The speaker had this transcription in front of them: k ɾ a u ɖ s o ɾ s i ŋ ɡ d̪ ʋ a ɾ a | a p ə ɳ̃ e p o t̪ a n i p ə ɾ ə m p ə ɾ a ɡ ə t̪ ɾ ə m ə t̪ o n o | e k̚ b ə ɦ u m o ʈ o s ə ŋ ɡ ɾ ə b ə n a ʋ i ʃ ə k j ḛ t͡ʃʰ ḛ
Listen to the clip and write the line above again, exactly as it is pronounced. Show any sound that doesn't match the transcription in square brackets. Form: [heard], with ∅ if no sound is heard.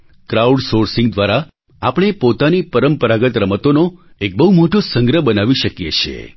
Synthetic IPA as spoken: k ɾ a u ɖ s o ɾ s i ŋ ɡ d̪ ʋ a ɾ a | a p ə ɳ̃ e p o t̪ a n i p ə ɾ ə m p ə ɾ a ɡ ə t̪ ɾ ə m ə t̪ o n o | e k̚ b ə ɦ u m o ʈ o s ə ŋ ɡ ɾ ə b ə n a ʋ i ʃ ə k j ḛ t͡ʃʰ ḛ